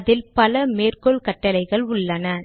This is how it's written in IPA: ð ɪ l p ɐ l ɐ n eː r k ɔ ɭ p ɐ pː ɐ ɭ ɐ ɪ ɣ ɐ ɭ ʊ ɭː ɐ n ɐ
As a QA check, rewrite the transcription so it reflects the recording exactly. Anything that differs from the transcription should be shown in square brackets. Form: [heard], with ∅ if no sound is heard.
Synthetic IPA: ð ɪ l p ɐ l ɐ [m] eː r k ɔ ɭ [k] ɐ [ʈː] ɐ [l] ɐ ɪ ɣ ɐ ɭ ʊ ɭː ɐ n ɐ